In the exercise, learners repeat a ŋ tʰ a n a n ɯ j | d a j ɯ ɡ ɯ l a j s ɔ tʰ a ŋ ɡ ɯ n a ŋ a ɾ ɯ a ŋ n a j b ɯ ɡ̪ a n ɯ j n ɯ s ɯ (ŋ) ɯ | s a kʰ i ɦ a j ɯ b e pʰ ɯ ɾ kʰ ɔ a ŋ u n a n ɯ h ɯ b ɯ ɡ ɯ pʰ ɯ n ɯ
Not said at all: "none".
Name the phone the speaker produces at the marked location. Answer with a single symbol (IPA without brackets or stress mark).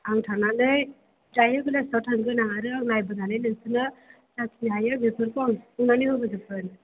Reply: n